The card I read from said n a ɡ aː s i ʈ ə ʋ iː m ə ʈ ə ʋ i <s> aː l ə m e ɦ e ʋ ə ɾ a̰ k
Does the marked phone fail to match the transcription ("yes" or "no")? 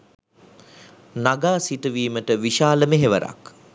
yes